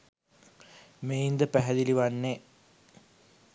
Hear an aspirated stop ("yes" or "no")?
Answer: no